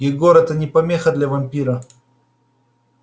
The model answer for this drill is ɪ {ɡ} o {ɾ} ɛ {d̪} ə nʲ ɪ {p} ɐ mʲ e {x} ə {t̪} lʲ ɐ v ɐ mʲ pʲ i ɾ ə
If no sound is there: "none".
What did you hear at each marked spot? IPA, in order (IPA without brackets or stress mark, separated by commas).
ɡ, ɾ, t̪, p, x, d̪